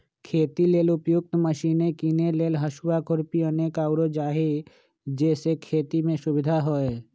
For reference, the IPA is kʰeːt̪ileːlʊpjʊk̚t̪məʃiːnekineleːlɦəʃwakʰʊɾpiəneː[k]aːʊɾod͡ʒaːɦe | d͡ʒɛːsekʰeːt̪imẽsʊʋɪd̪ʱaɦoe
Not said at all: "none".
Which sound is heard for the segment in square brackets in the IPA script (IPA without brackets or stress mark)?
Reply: k